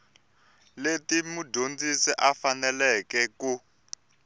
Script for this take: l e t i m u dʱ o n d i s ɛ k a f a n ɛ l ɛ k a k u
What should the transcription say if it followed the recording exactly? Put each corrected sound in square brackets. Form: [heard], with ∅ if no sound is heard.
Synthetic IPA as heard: l e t i m u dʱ o n [d͡z] i s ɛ [ʔ] a f a n ɛ l ɛ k [ɛ] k u

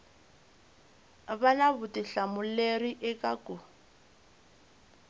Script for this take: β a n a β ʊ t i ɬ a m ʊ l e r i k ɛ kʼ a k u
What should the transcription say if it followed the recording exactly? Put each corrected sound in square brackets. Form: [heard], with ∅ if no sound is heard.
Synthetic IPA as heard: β a n a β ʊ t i ɬ a m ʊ l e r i [ʔ] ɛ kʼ a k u

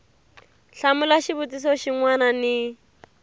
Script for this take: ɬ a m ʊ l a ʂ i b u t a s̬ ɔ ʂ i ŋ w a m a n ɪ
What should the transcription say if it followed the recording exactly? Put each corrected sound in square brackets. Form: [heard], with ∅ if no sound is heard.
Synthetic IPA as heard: ɬ a m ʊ l a [ʃ] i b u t [i] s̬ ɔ [ʃ] i ŋ w a [n] a n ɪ

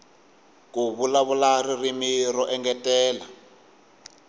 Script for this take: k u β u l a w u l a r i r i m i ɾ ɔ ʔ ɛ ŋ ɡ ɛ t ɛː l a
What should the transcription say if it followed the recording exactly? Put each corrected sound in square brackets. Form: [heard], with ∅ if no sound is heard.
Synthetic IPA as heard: k u β u l a [β] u l a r i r i m i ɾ ɔ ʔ ɛ ŋ ɡ ɛ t ɛː l a

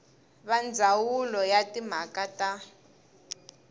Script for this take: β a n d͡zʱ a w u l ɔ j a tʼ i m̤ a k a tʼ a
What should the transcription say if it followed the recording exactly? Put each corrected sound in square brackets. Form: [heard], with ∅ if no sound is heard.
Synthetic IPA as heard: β a n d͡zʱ a w u l ɔ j a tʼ i m̤ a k a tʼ a

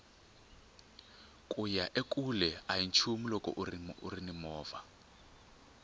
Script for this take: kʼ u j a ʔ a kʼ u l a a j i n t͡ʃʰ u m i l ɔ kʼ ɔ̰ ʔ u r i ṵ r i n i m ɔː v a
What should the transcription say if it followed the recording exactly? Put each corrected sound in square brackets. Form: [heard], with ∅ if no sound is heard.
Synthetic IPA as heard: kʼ u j a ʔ [e] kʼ u l [ɛ] a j i n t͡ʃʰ u m i l ɔ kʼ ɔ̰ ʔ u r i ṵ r i n i m ɔː v a

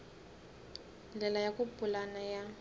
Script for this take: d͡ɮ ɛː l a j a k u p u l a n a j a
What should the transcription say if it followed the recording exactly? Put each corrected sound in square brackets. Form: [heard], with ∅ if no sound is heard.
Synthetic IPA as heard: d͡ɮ [ɛ] l a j a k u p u l a n a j a

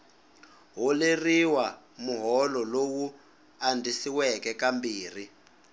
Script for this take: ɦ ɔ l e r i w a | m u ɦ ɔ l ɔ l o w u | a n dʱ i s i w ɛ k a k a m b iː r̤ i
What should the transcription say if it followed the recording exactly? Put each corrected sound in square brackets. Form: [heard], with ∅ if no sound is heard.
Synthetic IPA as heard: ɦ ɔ l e r i w a | m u ɦ ɔ l ɔ l o w u | a n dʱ i s i w ɛ k [ɛ] k a m b iː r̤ i

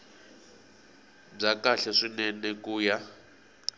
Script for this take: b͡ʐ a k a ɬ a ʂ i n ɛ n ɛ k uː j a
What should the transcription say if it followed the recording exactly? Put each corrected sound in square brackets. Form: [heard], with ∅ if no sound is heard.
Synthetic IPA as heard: b͡ʐ a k a ɬ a ʂ i n ɛ n ɛ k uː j a

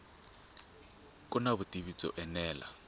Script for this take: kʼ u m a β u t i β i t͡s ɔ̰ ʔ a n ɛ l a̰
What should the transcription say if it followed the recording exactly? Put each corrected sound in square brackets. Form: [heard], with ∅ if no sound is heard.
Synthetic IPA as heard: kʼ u [n] a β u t i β i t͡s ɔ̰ ʔ [ɛ] n [ɛː] l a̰

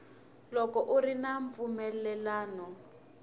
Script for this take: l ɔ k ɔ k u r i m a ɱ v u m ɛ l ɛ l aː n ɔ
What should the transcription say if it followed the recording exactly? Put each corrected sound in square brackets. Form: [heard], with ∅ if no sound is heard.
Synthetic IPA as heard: l ɔ k ɔ [ʔ] u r i [n] a ɱ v u m ɛ l ɛ l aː n ɔ

